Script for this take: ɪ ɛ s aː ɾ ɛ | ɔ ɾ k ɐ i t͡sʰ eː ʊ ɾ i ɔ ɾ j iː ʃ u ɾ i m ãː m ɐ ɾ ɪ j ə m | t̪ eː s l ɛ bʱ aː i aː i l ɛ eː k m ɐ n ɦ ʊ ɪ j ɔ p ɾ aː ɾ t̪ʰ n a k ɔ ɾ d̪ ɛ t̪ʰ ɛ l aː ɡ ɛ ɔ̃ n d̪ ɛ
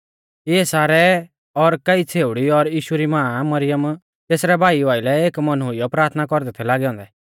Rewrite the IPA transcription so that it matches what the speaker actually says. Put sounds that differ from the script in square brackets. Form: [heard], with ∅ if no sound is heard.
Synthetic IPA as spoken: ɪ ɛ s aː ɾ ɛ | ɔ ɾ k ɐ i t͡sʰ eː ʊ [ɽ] i ɔ ɾ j iː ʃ u ɾ i m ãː m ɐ ɾ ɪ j ə m | t̪ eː s [ɾ] ɛ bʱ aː i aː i l ɛ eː k m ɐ n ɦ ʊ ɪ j ɔ p ɾ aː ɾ t̪ʰ n a k ɔ ɾ d̪ ɛ t̪ʰ ɛ l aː ɡ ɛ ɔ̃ n d̪ ɛ